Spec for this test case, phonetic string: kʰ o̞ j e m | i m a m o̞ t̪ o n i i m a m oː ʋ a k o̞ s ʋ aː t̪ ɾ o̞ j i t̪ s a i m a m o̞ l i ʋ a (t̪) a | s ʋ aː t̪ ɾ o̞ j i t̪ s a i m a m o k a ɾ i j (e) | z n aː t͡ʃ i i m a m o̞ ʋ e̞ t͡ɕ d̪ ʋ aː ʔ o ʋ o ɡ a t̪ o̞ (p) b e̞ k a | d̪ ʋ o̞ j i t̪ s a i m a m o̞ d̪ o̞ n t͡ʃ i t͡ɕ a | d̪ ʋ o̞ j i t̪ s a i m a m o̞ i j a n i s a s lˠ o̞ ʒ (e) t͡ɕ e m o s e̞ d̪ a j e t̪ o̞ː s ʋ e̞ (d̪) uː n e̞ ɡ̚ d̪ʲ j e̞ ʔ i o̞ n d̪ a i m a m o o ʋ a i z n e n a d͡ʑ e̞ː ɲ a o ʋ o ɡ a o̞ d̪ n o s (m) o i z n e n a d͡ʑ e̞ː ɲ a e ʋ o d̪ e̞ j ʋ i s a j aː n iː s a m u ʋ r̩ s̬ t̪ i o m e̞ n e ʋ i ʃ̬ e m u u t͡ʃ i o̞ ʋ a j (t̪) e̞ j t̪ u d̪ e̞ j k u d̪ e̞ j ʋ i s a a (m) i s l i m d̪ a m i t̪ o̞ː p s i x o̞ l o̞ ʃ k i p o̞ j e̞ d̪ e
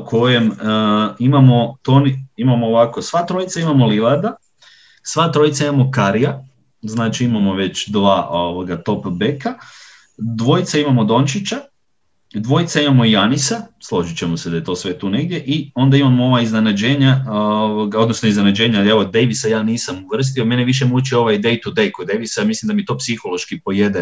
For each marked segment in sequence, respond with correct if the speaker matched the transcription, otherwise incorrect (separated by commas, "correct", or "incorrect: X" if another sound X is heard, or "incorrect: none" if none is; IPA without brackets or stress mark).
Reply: incorrect: d̪, incorrect: a, correct, incorrect: i, incorrect: t̪, incorrect: n, incorrect: d̪, correct